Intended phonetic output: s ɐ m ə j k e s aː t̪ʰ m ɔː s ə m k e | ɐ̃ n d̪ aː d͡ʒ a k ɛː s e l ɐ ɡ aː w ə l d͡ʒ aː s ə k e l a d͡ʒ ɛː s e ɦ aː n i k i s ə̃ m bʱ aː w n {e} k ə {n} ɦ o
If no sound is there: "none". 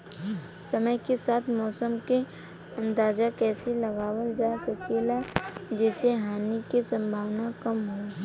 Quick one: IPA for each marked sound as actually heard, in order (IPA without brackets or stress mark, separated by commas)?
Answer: a, m